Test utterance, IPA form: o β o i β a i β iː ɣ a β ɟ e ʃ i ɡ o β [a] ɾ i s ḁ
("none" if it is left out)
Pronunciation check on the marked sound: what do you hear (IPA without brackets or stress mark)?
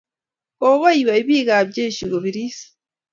i